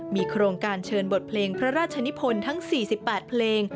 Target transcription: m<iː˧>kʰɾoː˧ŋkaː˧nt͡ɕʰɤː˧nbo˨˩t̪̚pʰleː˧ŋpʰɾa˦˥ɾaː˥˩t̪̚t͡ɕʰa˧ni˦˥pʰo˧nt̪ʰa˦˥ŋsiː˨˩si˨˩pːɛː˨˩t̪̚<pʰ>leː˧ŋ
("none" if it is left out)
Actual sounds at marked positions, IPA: iː˧, pʰ

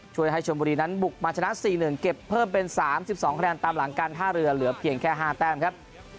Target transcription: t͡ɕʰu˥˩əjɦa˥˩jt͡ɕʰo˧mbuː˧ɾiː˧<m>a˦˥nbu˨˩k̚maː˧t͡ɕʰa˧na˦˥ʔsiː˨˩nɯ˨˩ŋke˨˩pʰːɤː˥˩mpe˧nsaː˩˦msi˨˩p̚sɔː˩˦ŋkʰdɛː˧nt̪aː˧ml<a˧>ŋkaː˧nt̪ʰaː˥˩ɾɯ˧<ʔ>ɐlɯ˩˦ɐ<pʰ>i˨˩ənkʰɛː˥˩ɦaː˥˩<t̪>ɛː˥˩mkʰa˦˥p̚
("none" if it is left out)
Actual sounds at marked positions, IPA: n, a˩˦, none, pʰ, t̪

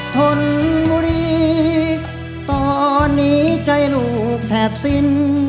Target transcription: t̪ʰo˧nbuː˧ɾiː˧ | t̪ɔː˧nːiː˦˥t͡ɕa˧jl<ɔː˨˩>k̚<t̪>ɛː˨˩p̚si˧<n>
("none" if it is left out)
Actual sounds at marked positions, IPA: uː˨˩, t̪ʰ, n

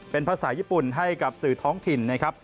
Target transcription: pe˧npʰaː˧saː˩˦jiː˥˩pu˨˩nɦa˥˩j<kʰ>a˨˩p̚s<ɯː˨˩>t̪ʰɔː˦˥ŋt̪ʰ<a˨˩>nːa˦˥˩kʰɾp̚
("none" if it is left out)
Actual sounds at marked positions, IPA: k, ɯː˨˩, i˨˩

